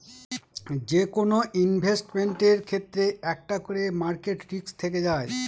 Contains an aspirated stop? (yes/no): yes